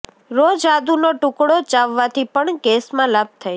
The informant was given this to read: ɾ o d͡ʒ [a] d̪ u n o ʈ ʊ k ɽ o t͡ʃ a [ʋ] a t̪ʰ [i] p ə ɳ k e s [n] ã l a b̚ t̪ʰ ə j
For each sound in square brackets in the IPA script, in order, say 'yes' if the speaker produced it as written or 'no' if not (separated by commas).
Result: yes, no, yes, no